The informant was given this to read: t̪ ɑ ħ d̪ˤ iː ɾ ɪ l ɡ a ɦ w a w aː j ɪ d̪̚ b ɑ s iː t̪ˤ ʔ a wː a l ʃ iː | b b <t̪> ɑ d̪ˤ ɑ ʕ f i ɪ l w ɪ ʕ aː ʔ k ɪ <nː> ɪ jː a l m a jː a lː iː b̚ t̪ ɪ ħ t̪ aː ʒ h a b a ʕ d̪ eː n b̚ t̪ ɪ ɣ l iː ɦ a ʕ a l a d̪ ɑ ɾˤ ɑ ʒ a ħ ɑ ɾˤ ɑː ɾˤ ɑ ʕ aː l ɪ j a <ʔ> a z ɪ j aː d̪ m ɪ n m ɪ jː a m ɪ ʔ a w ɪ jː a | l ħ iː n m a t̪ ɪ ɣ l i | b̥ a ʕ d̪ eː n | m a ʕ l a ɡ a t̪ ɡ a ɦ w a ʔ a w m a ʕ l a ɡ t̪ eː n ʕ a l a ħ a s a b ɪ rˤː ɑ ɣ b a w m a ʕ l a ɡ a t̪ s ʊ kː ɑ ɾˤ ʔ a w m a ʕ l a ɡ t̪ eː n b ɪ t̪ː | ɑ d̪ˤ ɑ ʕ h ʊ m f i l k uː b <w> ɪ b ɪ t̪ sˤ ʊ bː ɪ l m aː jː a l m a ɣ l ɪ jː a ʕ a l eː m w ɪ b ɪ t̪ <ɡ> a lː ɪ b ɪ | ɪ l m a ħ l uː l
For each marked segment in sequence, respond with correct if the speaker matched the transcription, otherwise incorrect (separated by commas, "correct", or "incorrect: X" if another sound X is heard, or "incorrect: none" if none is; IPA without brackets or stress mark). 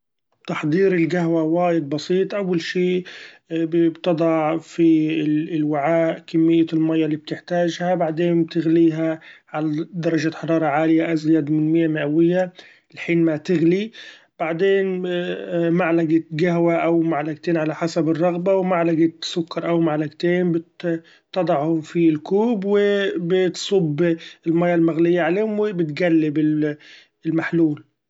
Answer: correct, incorrect: mː, correct, correct, correct